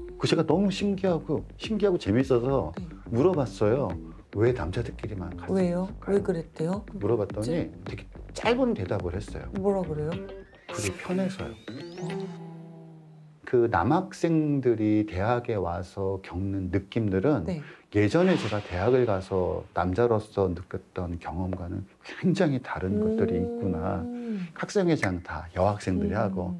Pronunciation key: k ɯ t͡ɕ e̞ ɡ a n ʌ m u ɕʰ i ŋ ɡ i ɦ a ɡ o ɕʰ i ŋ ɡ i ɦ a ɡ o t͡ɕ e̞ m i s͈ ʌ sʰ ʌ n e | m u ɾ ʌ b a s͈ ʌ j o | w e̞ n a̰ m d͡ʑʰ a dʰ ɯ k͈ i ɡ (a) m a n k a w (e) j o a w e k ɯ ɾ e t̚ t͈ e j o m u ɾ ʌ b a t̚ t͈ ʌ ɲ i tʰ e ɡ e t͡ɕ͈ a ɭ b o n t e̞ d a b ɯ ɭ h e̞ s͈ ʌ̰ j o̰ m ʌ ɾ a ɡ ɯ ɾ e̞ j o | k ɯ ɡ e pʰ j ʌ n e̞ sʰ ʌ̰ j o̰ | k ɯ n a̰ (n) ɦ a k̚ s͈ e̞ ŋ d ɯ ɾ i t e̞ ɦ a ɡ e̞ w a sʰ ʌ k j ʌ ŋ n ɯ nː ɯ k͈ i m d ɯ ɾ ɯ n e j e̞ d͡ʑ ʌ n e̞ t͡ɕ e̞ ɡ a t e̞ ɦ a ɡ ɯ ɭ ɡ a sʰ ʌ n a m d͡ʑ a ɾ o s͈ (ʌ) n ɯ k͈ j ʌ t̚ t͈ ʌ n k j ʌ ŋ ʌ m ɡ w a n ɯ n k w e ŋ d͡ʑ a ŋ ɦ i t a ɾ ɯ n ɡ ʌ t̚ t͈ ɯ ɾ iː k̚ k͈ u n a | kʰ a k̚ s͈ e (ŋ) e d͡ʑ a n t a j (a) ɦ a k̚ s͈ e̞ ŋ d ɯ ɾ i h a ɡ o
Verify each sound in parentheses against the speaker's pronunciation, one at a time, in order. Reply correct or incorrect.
incorrect, correct, incorrect, correct, correct, incorrect

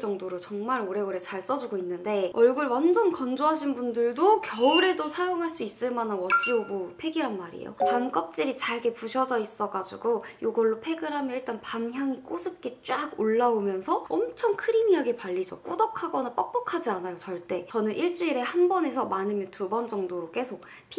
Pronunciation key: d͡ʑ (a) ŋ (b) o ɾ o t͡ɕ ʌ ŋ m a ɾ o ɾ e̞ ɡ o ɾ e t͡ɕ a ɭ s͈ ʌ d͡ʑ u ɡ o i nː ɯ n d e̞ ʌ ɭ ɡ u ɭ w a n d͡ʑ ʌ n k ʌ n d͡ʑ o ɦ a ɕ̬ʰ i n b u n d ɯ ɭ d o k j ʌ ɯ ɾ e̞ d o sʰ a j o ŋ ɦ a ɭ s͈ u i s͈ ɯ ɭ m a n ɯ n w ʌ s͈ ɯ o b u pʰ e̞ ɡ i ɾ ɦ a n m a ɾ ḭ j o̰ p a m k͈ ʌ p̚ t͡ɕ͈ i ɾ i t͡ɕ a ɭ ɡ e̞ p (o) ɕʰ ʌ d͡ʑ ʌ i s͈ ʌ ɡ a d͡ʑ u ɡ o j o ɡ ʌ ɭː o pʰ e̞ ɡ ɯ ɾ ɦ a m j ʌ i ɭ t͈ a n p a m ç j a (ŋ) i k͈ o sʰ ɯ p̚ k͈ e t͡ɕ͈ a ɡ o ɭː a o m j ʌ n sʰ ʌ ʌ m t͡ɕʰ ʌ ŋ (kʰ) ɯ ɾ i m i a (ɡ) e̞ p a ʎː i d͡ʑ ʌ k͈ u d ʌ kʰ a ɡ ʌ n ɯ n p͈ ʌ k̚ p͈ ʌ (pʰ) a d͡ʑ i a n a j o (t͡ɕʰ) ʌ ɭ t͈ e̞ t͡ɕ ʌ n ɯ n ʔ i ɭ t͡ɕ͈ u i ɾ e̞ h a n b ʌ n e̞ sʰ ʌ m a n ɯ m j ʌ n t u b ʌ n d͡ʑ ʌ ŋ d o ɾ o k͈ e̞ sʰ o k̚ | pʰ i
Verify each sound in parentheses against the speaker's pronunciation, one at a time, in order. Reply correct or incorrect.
incorrect, incorrect, incorrect, correct, correct, correct, incorrect, incorrect

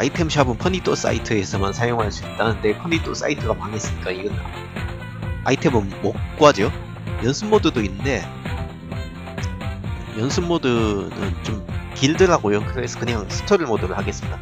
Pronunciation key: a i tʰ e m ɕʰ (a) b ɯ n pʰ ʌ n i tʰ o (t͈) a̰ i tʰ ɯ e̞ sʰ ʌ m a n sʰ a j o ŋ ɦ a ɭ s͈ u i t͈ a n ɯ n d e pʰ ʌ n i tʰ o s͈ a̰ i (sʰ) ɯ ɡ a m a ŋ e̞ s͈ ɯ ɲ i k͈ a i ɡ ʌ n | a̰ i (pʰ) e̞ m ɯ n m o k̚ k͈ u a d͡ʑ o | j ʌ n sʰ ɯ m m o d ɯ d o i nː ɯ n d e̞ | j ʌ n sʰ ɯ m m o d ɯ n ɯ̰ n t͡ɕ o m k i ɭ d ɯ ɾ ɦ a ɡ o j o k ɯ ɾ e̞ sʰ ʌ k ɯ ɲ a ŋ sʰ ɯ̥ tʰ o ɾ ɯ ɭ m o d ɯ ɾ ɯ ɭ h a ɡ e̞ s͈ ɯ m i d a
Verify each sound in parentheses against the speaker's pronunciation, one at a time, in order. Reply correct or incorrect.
correct, incorrect, incorrect, incorrect

